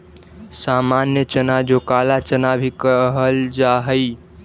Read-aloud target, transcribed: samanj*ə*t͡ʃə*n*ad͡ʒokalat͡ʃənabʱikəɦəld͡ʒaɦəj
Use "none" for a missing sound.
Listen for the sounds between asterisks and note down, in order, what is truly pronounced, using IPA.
ə, n

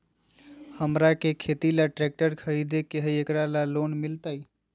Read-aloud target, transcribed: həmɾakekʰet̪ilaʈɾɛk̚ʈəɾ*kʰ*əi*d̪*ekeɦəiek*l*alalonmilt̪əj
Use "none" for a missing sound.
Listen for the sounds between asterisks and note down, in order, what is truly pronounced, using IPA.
kʰ, d̪, ɾ

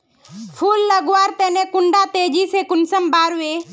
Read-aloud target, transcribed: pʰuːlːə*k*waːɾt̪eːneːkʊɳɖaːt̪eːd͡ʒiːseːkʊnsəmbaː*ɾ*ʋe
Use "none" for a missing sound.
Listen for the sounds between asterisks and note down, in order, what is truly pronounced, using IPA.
ɡ, ɾ

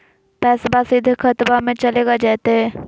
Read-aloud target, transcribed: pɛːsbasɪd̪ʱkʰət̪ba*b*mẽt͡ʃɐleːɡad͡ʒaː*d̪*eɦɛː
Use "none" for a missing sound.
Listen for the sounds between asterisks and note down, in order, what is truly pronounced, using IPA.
none, t̪

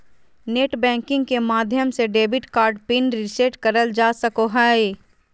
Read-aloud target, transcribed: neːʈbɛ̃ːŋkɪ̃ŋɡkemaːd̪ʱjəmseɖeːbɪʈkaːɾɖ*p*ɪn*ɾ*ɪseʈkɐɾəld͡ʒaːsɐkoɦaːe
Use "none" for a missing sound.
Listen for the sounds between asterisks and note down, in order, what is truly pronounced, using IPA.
p, ɾ

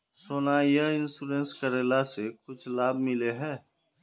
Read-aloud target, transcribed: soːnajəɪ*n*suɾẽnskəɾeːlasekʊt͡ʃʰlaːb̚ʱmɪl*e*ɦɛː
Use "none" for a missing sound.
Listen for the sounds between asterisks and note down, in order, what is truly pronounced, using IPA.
n, e

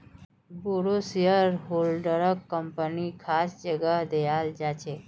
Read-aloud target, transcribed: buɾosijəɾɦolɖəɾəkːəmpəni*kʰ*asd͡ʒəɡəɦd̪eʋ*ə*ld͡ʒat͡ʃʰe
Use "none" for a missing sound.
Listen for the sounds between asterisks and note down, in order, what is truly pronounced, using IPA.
kʰ, a

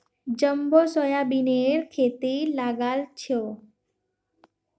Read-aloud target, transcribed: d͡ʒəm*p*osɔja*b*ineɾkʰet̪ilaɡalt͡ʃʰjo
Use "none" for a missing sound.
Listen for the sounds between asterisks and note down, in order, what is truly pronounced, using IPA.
b, b

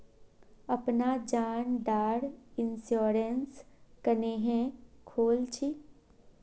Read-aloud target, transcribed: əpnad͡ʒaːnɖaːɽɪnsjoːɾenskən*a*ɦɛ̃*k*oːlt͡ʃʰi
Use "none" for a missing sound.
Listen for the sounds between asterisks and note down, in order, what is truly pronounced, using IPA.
e, kʰ

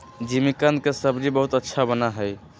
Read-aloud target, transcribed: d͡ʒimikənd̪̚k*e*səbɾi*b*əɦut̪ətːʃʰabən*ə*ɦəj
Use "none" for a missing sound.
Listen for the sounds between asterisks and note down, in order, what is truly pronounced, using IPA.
e, b, a

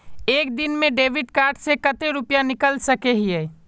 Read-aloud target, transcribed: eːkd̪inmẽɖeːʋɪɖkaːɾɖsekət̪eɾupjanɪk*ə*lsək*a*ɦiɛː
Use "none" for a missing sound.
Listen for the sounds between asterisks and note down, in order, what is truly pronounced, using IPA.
ə, e

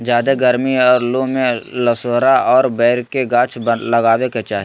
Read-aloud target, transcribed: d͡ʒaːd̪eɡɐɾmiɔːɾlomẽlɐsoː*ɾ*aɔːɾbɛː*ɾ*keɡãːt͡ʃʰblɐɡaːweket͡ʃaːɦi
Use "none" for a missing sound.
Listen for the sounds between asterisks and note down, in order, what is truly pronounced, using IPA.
ɾ, ɾ

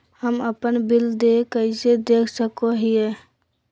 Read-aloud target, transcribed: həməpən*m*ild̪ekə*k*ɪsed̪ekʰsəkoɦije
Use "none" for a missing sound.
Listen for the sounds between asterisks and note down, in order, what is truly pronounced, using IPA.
b, none

